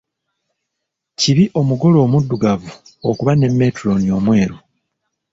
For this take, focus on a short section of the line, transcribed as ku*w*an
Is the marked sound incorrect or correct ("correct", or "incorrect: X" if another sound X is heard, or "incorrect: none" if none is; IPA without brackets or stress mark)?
incorrect: β